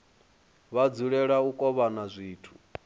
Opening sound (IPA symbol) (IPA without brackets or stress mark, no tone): β